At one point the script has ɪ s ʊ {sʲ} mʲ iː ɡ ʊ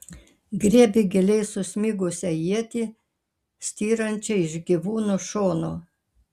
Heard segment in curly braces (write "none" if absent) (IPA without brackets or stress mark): sʲ